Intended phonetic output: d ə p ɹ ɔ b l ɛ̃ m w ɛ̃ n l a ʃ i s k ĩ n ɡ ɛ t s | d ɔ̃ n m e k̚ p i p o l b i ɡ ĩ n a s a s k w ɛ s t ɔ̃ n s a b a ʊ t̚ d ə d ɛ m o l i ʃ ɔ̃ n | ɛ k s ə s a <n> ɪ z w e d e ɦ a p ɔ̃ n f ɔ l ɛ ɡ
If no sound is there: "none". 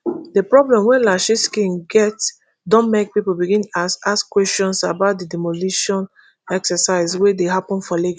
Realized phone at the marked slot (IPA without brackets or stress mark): none